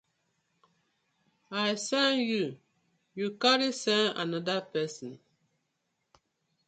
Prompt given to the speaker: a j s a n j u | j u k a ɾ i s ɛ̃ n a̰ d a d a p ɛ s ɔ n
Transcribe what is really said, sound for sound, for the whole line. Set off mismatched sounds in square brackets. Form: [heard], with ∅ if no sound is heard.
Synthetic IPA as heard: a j s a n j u | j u k a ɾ i s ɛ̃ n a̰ [n] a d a p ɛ s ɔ n